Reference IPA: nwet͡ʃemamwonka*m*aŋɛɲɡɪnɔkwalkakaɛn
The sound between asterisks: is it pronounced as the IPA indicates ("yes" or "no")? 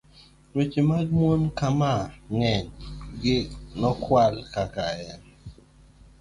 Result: yes